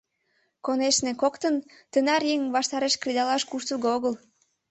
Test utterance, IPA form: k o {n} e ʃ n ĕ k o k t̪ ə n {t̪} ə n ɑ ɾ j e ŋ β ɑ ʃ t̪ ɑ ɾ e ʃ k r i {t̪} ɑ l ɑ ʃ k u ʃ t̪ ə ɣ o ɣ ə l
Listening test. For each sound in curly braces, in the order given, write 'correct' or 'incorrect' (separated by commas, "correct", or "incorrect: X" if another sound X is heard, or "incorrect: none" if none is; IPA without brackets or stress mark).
correct, correct, incorrect: d̪